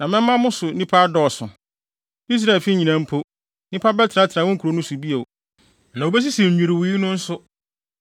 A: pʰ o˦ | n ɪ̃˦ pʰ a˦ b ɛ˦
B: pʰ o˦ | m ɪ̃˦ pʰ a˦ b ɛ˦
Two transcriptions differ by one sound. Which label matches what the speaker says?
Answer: A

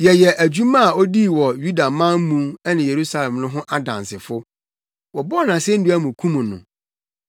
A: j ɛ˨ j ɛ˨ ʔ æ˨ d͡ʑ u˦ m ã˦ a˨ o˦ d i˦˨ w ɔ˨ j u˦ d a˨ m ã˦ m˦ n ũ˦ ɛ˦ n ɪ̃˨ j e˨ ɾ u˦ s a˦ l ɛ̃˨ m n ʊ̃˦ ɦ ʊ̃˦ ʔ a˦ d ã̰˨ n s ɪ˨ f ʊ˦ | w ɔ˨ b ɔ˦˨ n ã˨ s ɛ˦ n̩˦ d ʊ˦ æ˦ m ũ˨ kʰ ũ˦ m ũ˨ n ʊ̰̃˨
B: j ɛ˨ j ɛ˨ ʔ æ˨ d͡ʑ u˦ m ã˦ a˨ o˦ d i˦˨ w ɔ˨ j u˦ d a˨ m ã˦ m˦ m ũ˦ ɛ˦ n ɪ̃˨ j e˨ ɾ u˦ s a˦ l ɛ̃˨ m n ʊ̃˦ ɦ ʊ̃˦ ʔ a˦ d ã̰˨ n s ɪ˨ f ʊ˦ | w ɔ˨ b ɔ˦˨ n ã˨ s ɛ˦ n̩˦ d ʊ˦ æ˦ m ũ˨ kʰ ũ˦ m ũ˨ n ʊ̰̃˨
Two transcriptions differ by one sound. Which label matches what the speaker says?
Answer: B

